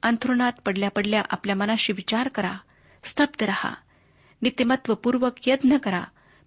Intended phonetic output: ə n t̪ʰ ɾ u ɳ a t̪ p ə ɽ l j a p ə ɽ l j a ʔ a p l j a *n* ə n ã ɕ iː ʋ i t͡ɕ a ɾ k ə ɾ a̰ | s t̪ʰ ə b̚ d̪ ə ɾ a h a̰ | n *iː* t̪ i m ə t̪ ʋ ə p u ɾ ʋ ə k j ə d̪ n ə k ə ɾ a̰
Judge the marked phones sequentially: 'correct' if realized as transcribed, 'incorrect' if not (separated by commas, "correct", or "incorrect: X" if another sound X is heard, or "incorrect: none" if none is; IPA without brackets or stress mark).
incorrect: m, incorrect: i